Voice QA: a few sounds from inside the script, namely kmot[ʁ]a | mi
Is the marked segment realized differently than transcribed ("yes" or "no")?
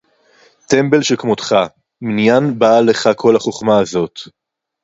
yes